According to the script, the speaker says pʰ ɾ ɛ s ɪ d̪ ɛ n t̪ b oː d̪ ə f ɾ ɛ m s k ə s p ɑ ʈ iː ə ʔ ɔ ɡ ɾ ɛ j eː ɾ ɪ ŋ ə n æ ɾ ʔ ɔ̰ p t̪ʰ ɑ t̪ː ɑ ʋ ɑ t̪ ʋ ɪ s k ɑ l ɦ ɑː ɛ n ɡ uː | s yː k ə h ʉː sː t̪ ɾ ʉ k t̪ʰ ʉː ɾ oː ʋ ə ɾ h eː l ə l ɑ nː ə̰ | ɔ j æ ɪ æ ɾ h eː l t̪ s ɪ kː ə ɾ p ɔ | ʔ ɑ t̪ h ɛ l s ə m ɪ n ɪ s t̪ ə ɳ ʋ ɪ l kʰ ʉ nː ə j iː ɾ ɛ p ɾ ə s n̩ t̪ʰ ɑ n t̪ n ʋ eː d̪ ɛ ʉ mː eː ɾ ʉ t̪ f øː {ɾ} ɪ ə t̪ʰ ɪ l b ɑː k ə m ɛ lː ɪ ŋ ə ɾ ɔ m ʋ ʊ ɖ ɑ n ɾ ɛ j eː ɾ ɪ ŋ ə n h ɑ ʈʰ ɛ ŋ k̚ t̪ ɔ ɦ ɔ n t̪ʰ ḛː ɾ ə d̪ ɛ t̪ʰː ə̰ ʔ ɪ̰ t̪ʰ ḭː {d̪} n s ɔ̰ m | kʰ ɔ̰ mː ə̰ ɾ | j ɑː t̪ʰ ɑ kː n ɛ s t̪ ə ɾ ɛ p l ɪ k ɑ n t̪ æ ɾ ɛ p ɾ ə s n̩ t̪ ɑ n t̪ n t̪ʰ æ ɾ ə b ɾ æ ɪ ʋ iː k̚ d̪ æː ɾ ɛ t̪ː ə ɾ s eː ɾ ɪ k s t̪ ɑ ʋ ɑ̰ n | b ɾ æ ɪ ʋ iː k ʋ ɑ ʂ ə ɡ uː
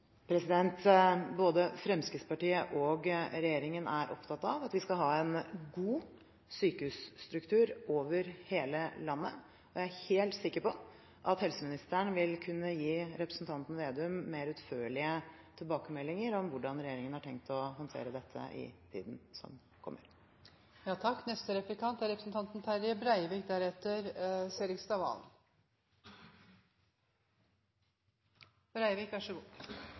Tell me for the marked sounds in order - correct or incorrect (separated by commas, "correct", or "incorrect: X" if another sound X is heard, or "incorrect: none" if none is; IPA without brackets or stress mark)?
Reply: incorrect: ɭ, correct